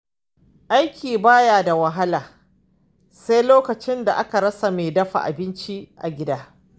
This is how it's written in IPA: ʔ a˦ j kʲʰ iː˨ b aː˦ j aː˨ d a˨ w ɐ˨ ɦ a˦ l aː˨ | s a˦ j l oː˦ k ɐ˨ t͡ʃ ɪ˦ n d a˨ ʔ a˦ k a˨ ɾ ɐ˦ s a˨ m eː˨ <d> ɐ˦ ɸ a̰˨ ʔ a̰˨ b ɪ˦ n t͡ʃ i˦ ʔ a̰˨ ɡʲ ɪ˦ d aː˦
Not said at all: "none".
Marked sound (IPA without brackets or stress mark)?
d